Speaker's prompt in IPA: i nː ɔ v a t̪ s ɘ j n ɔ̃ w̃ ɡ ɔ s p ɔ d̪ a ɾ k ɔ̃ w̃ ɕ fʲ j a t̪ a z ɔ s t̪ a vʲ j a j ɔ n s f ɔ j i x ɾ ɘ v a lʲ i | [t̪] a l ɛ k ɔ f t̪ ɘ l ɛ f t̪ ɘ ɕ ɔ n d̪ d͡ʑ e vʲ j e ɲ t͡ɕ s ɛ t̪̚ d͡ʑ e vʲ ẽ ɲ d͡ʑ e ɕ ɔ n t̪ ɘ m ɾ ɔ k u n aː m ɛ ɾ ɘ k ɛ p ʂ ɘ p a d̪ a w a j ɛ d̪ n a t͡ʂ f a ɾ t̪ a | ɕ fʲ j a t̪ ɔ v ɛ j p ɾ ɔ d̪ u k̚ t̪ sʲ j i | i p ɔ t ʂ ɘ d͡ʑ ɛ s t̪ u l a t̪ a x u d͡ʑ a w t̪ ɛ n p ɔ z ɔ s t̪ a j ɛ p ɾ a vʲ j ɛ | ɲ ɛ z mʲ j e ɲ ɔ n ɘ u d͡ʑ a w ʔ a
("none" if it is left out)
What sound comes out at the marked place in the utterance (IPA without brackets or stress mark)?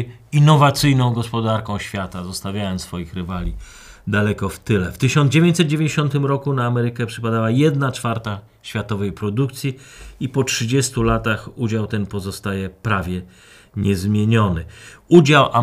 d̪